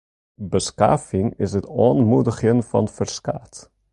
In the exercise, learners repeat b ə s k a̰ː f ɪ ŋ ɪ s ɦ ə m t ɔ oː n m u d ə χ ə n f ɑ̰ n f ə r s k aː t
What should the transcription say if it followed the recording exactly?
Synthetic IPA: b ə s k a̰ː f ɪ ŋ ɪ s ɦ ə t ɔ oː n m u d ə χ ə n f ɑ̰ n f ə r s k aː t